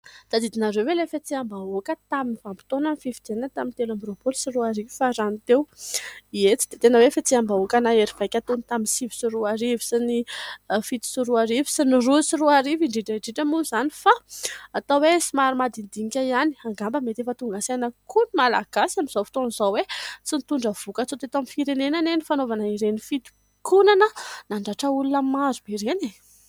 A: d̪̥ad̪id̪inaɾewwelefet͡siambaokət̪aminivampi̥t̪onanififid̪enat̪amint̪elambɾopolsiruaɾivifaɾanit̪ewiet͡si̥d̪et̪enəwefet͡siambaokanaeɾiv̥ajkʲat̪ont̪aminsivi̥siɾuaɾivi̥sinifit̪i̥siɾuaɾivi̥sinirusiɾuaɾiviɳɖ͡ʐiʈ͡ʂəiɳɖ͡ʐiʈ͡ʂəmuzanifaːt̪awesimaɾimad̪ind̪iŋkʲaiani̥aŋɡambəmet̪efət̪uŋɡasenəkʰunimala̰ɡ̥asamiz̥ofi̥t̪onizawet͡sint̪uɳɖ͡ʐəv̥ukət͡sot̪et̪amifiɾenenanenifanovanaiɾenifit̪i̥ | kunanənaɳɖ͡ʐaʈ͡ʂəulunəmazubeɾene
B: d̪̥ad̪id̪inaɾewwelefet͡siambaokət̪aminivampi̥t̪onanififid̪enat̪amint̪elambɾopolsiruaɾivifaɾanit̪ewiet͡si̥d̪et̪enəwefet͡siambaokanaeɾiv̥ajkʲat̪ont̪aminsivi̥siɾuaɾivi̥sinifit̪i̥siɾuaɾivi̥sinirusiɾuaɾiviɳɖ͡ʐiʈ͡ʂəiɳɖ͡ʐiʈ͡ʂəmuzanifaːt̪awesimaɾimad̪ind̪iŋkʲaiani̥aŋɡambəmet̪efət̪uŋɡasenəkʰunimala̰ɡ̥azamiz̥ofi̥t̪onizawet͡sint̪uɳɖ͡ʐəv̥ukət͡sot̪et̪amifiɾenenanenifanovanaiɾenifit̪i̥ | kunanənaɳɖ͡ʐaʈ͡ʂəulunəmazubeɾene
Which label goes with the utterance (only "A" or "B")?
A